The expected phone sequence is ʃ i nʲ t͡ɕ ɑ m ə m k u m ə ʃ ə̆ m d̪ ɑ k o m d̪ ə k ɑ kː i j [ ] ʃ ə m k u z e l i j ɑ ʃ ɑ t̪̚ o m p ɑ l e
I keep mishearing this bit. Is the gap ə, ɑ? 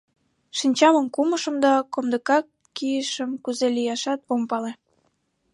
ə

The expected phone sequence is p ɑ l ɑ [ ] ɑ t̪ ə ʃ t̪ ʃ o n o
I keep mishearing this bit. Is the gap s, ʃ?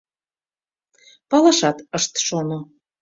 ʃ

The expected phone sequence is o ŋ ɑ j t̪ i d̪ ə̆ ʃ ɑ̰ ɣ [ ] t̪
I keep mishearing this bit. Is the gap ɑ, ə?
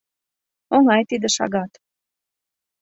ɑ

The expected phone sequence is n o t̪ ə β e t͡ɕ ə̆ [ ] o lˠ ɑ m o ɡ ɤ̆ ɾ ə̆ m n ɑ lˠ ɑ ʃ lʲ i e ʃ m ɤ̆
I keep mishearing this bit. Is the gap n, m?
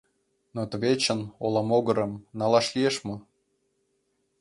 n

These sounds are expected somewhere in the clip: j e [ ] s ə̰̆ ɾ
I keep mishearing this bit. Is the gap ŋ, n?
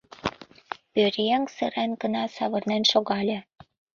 ŋ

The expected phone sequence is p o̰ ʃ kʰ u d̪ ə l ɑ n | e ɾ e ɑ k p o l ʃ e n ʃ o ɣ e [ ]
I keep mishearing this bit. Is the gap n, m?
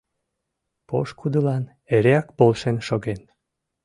n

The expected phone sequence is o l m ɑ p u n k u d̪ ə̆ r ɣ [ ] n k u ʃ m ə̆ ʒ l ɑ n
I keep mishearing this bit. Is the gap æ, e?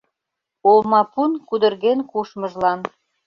e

